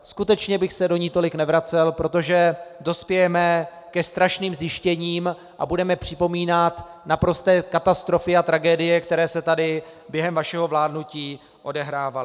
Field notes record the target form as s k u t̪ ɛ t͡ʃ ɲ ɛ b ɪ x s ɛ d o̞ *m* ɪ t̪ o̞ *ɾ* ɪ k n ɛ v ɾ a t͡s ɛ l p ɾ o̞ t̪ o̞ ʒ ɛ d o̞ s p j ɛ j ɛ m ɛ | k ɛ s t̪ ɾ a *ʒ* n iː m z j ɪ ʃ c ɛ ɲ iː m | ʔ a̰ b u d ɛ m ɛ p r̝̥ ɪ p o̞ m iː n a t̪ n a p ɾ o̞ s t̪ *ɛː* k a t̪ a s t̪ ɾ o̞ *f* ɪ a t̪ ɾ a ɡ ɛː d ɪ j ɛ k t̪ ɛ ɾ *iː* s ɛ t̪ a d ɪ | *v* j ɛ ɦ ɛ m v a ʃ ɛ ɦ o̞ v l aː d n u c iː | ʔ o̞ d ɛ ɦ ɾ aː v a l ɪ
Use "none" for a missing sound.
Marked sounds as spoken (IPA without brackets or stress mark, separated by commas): ɲ, l, ʃ, ɛː, f, ɛː, b